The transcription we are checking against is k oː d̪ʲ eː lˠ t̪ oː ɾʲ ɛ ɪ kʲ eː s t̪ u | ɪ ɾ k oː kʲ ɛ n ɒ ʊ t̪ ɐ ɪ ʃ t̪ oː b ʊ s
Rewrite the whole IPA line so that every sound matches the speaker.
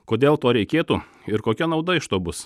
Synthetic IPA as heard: k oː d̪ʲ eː lˠ t̪ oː ɾʲ ɛ ɪ kʲ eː t̪ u | ɪ ɾ k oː kʲ ɛ n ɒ ʊ d̪ ɐ ɪ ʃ t̪ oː b ʊ s